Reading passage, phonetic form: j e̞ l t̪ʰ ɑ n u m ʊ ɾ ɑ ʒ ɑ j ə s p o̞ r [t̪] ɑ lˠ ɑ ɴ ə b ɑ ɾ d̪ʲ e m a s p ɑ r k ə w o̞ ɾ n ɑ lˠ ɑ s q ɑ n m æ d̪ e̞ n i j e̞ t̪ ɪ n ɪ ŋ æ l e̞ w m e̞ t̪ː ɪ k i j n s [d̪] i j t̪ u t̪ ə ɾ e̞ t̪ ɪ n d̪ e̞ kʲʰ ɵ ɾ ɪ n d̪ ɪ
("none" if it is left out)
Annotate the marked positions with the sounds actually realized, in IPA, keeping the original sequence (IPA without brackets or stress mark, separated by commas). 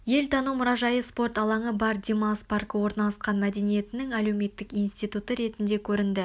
t̪, t̪